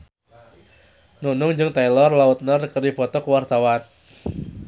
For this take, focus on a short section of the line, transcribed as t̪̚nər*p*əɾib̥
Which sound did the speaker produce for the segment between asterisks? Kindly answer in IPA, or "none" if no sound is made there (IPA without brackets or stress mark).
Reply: k